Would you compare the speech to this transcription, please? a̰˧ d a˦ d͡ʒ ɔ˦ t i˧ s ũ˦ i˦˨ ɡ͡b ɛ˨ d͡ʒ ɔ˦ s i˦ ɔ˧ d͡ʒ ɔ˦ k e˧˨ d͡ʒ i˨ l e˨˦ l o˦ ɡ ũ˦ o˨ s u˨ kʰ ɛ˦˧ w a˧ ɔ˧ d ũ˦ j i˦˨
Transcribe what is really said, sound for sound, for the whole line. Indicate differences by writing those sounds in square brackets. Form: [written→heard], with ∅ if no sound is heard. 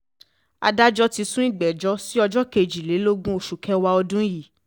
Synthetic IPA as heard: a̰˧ d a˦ d͡ʒ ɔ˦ t i˧ s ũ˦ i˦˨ ɡ͡b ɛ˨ d͡ʒ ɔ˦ s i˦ ɔ˧ d͡ʒ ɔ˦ k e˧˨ d͡ʒ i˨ l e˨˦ l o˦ ɡ ũ˦ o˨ [s→ʃ] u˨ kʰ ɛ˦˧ w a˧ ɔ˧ d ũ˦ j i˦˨

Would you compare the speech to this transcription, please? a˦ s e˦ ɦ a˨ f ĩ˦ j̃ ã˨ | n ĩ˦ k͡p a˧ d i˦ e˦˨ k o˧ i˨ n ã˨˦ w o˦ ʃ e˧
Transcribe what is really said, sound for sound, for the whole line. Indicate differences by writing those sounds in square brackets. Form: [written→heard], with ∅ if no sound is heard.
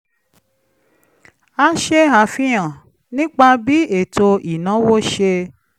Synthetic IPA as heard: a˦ [s→ʃ] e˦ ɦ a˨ f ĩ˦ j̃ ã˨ | n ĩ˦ k͡p a˧ [d→b] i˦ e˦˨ [k→t] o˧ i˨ n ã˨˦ w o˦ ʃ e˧

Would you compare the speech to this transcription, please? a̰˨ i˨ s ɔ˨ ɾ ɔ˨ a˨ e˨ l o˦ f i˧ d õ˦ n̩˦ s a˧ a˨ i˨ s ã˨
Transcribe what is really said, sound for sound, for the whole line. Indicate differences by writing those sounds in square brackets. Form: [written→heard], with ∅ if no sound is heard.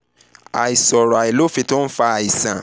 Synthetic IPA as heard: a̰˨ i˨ s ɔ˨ ɾ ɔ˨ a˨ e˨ l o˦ f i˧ [d→t] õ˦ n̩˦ [s→f] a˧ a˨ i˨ s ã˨

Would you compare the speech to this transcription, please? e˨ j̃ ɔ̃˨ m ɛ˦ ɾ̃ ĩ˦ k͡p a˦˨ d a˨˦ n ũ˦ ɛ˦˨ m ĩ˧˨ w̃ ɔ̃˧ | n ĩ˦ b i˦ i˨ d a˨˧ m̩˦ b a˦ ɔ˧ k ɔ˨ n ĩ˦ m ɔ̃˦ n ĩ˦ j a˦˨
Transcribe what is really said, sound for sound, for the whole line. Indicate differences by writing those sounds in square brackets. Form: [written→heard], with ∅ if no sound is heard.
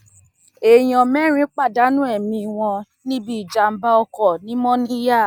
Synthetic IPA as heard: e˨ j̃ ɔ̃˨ m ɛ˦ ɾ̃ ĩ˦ k͡p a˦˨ d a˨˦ n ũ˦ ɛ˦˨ m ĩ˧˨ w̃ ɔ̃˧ | n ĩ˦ b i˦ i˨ [d→d͡ʒ] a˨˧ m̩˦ b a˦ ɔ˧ k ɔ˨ n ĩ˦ m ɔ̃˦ n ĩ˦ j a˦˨

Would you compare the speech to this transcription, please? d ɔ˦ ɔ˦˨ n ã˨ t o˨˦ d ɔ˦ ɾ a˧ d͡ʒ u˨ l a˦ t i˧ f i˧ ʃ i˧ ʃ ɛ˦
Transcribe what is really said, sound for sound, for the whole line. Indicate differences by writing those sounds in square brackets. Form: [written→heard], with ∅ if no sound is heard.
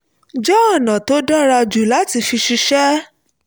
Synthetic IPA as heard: [d→d͡ʒ] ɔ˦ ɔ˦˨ n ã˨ t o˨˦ d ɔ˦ ɾ a˧ d͡ʒ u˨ l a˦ t i˧ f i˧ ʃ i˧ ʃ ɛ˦

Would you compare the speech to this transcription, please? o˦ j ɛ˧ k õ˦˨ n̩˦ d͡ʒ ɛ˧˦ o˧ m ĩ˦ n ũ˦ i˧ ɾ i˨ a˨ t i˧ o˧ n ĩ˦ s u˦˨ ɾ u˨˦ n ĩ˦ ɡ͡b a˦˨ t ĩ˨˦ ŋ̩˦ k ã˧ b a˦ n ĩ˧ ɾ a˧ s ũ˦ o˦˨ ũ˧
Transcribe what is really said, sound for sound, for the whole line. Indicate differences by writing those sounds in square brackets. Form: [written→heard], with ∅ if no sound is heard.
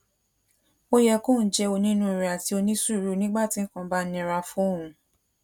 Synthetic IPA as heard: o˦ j ɛ˧ k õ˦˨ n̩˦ d͡ʒ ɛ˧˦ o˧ [m→n] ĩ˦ n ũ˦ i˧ ɾ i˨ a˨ t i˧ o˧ n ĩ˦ s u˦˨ ɾ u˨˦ n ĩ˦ ɡ͡b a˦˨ t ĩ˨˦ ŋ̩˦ k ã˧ b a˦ n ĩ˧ ɾ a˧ [s→f] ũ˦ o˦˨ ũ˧

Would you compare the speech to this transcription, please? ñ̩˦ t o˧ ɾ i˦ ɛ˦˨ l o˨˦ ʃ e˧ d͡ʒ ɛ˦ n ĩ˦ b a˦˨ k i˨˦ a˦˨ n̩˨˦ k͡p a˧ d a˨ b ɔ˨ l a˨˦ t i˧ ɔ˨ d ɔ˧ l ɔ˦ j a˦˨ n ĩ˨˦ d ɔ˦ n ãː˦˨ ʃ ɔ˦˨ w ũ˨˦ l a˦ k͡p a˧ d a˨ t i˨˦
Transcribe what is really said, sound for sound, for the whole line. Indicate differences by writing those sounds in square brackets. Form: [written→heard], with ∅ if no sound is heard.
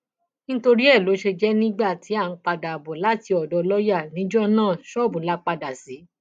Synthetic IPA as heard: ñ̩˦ t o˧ ɾ i˦ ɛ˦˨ l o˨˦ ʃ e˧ d͡ʒ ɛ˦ n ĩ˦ [b→ɡ͡b] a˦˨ [k→t] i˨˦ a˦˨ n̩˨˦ k͡p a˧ d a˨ b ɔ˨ l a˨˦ t i˧ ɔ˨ d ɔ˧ l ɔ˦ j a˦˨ n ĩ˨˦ [d→d͡ʒ] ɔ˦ n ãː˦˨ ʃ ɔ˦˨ [w→b] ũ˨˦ l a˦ k͡p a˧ d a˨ [t→s] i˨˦

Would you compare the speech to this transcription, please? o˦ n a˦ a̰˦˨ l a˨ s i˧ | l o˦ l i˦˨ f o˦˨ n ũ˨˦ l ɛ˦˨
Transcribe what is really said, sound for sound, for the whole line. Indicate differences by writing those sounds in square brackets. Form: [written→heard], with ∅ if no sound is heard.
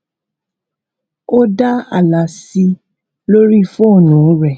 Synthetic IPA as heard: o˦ [n→d] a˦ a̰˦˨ l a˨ s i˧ | l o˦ [l→ɾ] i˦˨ f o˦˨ n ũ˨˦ [l→ɾ] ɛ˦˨

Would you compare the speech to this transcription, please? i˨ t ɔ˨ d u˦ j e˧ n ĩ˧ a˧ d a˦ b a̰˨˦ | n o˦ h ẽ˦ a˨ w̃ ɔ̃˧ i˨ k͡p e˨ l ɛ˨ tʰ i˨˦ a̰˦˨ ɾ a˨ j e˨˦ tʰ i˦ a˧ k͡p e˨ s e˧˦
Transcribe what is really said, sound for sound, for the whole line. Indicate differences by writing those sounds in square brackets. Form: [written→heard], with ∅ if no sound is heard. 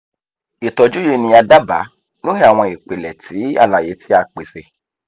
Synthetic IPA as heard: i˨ t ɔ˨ [d→d͡ʒ] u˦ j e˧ n ĩ˧ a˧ d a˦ b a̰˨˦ | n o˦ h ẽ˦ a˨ w̃ ɔ̃˧ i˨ k͡p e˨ l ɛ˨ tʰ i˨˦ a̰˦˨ [ɾ→l] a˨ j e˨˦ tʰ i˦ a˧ k͡p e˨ s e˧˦

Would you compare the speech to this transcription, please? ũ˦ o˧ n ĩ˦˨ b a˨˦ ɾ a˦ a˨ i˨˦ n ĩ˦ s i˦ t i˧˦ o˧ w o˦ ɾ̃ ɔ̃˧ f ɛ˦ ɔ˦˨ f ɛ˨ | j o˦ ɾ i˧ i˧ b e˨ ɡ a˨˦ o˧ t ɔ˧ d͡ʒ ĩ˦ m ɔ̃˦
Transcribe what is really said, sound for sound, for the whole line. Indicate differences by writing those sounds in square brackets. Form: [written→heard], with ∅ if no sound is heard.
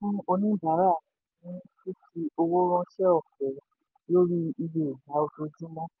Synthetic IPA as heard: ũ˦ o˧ n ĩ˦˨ b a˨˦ ɾ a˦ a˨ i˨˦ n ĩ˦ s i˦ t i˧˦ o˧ w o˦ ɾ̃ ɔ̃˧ [f→ʃ] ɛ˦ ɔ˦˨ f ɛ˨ | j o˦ ɾ i˧ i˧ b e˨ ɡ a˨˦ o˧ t [ɔ˧→o˧] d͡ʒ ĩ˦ m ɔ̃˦

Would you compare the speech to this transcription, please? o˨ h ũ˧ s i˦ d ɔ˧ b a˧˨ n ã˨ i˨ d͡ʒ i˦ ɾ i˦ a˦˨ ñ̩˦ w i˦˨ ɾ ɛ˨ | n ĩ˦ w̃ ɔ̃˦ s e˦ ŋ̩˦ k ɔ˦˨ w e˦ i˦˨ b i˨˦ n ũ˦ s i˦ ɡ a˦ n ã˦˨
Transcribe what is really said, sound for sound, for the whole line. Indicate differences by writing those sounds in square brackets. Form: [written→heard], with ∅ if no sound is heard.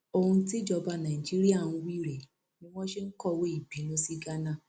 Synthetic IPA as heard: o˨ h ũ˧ [s→t] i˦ [d→d͡ʒ] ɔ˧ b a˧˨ n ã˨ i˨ d͡ʒ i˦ ɾ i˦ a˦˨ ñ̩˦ w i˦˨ ɾ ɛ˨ | n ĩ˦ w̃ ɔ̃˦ [s→ʃ] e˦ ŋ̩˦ k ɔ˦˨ w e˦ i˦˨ b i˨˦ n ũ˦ s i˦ ɡ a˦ n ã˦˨

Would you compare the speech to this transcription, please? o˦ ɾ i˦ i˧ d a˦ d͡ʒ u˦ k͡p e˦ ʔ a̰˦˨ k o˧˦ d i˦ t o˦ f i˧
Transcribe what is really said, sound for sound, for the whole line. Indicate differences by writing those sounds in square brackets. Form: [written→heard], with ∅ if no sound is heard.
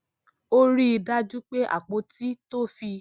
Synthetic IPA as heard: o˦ ɾ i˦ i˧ d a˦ d͡ʒ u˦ k͡p e˦ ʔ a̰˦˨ [k→k͡p] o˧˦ [d→t] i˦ t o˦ f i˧

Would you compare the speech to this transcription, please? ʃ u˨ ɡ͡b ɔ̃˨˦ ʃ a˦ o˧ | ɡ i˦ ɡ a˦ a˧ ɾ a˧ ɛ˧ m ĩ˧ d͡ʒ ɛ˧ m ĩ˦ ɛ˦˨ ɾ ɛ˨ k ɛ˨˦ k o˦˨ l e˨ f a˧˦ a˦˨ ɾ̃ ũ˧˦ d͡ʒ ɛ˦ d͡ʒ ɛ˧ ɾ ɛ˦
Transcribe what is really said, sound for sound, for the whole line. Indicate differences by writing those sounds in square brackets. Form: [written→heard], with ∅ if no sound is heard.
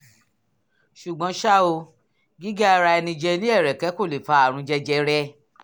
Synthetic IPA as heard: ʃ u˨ ɡ͡b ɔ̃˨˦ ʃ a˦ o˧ | ɡ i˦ ɡ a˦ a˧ ɾ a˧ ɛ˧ [m→n] ĩ˧ d͡ʒ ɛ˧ [m→n] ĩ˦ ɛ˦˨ ɾ ɛ˨ k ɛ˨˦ k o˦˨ l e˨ f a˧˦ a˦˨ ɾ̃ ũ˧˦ d͡ʒ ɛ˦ d͡ʒ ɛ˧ ɾ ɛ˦

